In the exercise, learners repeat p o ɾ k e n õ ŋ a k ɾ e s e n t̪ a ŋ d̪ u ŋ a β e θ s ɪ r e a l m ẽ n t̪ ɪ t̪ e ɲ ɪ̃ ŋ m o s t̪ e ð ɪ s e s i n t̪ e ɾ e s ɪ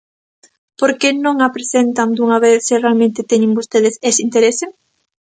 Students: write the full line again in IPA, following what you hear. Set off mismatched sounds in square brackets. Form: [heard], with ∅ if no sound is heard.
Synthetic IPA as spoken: p o ɾ k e n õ ŋ a [p] ɾ e s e n t̪ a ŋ d̪ u ŋ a β e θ s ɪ r e a l m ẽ n t̪ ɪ t̪ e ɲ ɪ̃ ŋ [b] o s t̪ e ð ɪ s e s i n t̪ e ɾ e s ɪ